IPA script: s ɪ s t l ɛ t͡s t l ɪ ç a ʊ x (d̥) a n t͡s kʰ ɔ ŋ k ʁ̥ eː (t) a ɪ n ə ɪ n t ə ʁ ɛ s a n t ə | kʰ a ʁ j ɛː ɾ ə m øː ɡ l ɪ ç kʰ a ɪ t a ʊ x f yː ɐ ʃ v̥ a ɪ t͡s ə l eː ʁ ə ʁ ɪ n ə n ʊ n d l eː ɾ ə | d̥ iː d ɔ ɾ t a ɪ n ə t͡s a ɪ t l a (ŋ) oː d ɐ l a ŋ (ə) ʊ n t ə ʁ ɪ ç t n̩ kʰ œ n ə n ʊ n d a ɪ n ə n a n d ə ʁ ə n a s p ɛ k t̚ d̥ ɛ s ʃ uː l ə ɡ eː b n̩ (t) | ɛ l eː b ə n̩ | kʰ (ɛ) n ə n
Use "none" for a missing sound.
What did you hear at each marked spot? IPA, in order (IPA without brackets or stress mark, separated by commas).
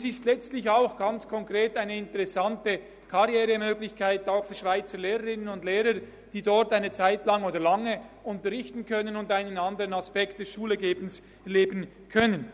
ɡ̥, t, ŋ, ə, s, œ